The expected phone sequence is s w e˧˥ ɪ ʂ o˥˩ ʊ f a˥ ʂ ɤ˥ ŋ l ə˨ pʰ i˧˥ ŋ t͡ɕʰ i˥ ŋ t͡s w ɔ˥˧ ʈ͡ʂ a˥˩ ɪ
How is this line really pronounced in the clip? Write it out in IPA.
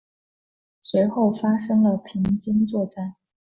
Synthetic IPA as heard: s w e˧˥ ɪ x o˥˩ ʊ f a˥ ʂ ɤ˥ ŋ l ə˨ pʰ i˧˥ ŋ t͡ɕ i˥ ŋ t͡s w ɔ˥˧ ʈ͡ʂ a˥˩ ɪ